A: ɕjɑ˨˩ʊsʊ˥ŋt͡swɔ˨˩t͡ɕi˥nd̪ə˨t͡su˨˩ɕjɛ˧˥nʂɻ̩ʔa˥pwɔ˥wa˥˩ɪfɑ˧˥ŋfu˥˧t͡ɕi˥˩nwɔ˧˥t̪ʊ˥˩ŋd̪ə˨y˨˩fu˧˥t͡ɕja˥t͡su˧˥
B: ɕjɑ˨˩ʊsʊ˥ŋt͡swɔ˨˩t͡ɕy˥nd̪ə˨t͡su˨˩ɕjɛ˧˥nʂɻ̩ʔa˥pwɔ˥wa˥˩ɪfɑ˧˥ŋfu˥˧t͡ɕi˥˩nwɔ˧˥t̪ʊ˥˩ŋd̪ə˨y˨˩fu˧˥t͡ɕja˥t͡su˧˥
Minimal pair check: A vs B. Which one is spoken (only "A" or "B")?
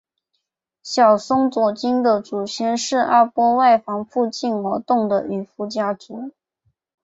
A